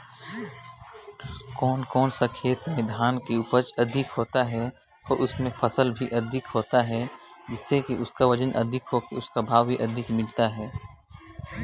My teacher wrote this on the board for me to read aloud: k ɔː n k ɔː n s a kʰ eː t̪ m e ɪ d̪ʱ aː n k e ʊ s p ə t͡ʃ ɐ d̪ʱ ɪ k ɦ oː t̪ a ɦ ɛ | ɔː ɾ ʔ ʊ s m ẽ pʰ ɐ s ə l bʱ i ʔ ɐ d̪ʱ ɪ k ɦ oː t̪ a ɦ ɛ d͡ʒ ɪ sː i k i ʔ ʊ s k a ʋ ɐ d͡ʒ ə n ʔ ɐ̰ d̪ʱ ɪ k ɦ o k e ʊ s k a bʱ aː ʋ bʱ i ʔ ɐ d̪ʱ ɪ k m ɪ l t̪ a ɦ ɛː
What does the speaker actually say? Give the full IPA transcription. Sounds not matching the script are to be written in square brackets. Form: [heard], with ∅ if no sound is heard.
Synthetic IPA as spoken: k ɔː n k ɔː n s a kʰ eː t̪ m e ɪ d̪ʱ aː n k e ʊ [∅] p ə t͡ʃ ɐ d̪ʱ ɪ k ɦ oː t̪ a ɦ ɛ | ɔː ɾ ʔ ʊ s m ẽ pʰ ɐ s ə l bʱ i ʔ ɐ d̪ʱ ɪ k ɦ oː t̪ a ɦ ɛ d͡ʒ ɪ sː [e] k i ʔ ʊ s k a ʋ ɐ d͡ʒ ə n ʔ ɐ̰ d̪ʱ ɪ k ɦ o k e ʊ s k a bʱ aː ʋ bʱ i ʔ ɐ d̪ʱ ɪ k m ɪ l t̪ a ɦ ɛː

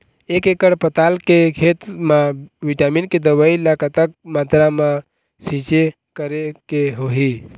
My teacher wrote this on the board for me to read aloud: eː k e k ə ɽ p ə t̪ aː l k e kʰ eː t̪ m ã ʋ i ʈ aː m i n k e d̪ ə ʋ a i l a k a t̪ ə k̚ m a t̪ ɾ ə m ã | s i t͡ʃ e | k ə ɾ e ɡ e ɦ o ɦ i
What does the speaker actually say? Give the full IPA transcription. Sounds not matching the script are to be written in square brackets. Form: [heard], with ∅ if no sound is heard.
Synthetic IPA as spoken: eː k e k ə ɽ p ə t̪ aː l k e kʰ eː t̪ m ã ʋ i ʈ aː m i n k e d̪ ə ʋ a i l a k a t̪ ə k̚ m a t̪ ɾ [a] m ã | s i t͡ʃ e | k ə ɾ e [k] e ɦ o ɦ i

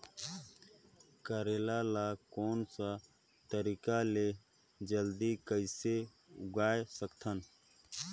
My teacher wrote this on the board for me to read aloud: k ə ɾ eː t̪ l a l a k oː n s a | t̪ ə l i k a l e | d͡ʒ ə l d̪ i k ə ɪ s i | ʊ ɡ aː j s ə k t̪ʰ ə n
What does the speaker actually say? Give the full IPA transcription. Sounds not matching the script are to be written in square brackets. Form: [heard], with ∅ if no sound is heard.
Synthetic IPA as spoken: k ə ɾ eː [∅] l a l a k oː n s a | t̪ ə [ɾ] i k a l e | d͡ʒ ə l d̪ i k ə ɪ s [e] | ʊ ɡ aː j s ə k t̪ʰ ə n

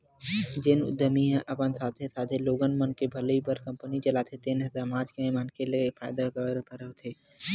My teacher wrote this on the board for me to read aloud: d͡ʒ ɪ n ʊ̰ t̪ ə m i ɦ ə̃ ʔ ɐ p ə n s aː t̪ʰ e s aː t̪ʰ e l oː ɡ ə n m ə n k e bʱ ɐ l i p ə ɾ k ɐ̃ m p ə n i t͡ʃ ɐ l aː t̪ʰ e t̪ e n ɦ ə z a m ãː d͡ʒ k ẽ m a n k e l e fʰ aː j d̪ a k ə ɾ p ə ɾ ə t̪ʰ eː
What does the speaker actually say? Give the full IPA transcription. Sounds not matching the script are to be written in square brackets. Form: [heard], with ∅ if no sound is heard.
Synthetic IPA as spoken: d͡ʒ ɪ n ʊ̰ [d̪] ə m i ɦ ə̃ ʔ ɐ p ə n s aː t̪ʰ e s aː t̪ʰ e l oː ɡ ə n m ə n k e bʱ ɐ l i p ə ɾ k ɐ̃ m p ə n i t͡ʃ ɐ l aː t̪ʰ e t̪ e n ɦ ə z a m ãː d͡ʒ k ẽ m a n k e l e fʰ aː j d̪ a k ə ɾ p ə ɾ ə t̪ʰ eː

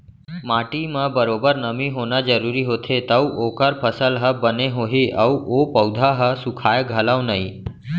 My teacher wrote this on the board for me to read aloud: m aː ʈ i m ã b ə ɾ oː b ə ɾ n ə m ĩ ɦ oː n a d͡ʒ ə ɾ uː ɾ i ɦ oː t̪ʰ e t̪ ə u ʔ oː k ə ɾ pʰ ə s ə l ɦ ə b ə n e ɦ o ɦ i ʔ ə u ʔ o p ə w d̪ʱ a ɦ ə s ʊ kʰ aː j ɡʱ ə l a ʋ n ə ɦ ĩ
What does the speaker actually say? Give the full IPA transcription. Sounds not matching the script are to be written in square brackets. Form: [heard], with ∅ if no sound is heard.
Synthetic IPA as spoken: m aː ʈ i m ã b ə ɾ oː b ə ɾ n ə m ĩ ɦ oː n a d͡ʒ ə ɾ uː ɾ i ɦ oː t̪ʰ e t̪ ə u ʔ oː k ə ɾ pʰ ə s ə l ɦ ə b ə n e ɦ o ɦ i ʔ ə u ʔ o p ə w d̪ʱ a ɦ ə s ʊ kʰ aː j ɡʱ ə l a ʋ n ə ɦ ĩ

